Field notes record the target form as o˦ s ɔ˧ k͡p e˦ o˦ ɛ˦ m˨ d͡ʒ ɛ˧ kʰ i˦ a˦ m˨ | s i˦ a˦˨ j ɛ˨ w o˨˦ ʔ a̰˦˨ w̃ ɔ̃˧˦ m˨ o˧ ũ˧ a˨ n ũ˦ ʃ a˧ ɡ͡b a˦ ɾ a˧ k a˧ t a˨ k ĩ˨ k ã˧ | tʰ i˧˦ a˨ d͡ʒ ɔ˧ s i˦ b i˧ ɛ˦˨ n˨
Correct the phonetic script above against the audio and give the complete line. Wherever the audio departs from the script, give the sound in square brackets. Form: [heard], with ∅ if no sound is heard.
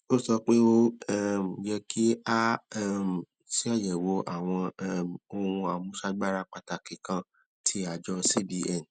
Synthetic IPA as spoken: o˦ s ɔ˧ k͡p e˦ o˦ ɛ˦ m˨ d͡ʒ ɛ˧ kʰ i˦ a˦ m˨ | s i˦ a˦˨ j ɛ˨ w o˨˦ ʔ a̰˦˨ w̃ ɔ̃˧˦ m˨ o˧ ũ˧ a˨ [m] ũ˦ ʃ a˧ ɡ͡b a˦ ɾ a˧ [k͡p] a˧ t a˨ k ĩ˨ k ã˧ | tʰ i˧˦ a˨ d͡ʒ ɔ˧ s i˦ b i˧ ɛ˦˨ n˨